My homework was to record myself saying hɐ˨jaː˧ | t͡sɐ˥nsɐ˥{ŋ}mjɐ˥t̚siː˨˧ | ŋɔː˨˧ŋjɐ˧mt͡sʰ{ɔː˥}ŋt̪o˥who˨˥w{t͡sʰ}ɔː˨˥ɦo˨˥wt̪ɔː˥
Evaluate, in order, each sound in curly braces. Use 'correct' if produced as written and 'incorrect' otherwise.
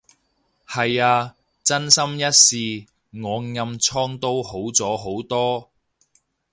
incorrect, correct, incorrect

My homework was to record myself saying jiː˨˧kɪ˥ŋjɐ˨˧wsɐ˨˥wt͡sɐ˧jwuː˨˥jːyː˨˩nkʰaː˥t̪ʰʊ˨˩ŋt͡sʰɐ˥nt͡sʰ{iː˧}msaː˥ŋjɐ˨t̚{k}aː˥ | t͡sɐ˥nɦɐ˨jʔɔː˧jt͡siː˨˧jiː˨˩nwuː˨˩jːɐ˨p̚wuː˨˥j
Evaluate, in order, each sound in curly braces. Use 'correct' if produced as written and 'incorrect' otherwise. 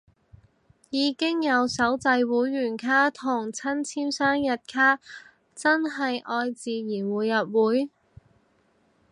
incorrect, incorrect

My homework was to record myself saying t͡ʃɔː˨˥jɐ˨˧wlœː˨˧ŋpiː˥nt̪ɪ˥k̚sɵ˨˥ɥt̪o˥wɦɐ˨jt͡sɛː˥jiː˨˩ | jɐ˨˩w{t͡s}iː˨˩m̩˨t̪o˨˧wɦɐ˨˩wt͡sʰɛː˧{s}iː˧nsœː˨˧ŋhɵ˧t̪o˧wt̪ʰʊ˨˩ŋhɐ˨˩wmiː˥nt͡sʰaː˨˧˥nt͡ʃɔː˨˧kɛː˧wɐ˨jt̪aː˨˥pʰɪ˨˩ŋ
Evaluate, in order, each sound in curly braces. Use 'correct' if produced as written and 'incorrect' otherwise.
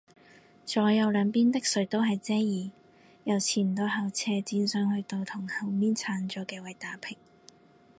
incorrect, incorrect

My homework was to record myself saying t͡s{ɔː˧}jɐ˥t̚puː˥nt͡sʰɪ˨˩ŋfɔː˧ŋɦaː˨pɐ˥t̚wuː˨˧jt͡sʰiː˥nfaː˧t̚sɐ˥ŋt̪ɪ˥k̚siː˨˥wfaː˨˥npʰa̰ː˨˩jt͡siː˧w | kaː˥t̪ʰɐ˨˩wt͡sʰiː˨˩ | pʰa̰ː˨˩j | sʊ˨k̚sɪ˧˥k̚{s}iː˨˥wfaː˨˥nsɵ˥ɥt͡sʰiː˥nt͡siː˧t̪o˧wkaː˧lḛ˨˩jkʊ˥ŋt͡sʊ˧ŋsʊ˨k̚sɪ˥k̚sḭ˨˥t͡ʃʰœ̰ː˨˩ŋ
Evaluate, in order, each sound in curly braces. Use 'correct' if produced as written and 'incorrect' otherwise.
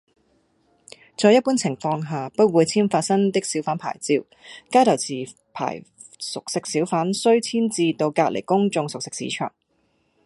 correct, correct

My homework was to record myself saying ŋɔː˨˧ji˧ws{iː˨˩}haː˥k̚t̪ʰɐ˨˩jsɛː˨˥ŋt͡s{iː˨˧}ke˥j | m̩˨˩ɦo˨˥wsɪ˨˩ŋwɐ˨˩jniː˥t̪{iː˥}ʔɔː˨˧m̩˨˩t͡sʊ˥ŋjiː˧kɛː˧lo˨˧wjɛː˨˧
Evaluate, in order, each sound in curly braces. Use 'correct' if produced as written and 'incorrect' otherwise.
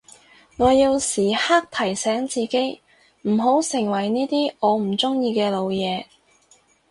correct, correct, correct

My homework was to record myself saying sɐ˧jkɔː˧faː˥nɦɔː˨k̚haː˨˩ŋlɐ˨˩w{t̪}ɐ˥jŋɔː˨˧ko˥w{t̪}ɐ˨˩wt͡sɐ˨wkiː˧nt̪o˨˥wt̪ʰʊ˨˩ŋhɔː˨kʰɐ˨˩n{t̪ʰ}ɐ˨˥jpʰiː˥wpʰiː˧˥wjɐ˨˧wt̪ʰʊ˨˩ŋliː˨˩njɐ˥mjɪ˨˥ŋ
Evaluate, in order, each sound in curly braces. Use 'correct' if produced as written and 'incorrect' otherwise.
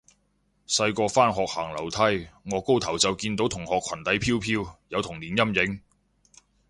incorrect, incorrect, incorrect

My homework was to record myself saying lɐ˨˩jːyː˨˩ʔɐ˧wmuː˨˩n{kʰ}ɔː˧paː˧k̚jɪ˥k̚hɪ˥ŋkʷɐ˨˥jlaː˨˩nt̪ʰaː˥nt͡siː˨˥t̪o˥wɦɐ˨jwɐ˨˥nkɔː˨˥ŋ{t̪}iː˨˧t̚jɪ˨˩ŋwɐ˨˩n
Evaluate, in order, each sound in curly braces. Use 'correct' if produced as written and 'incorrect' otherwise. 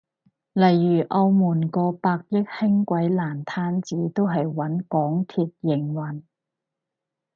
incorrect, incorrect

